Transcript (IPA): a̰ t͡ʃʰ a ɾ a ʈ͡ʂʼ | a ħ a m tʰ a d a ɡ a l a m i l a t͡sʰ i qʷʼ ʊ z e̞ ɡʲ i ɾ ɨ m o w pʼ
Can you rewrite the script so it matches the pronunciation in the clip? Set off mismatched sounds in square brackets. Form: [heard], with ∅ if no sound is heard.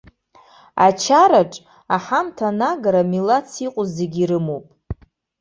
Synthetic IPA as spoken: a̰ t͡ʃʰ a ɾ a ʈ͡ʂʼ | a ħ a m tʰ a [n] a ɡ a [ɾ] a m i l a t͡sʰ i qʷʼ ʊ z e̞ ɡʲ i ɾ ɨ m o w pʼ